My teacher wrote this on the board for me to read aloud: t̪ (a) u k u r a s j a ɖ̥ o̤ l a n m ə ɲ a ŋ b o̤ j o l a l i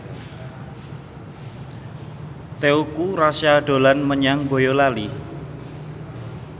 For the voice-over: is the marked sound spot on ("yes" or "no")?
no